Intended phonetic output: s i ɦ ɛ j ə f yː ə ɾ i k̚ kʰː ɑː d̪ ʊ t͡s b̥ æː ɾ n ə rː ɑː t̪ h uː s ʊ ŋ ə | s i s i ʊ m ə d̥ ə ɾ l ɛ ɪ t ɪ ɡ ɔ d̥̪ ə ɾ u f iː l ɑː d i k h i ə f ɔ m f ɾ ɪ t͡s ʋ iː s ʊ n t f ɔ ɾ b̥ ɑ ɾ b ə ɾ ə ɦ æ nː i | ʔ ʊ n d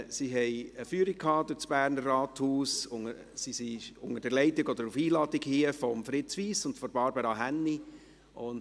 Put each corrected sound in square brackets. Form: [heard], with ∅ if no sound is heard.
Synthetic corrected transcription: s i ɦ ɛ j ə f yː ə ɾ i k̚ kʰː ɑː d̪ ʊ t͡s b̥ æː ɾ n ə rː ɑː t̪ h uː s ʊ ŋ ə | s i s i ʊ [ŋ] ə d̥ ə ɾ l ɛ ɪ t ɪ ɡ ɔ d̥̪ ə ɾ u f iː l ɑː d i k h i ə f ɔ m f ɾ ɪ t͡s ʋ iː s ʊ n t f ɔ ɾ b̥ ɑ ɾ b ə ɾ [ɑ] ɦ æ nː i | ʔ ʊ n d